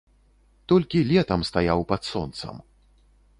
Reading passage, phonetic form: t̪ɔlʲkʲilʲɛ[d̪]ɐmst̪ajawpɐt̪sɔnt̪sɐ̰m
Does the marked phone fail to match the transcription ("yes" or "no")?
yes